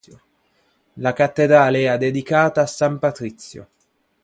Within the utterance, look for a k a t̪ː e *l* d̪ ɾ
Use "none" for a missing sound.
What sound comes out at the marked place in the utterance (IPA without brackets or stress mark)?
none